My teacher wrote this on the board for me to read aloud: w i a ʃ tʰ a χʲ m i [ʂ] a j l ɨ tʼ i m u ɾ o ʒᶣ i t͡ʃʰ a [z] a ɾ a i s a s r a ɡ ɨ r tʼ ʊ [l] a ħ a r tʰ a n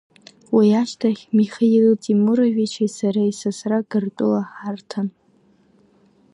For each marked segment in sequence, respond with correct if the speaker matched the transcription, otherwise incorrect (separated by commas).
incorrect, incorrect, correct